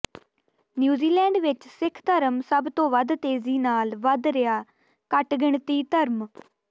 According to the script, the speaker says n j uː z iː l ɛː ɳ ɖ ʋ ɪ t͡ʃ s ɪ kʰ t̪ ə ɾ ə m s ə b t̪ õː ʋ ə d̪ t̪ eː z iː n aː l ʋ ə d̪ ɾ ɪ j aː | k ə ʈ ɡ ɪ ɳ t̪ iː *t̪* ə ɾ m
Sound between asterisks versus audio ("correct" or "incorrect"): correct